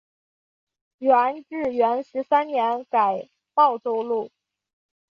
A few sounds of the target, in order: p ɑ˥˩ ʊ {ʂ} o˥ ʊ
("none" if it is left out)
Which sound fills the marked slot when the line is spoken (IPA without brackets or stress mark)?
ʈ͡ʂ